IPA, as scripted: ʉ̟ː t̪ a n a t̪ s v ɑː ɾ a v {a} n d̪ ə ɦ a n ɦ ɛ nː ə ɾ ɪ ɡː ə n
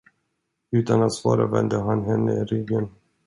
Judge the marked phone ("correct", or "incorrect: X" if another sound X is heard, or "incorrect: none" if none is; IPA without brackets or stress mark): incorrect: ɛ